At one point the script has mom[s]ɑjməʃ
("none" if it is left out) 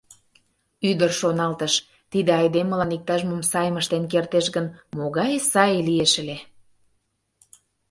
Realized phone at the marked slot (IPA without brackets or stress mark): s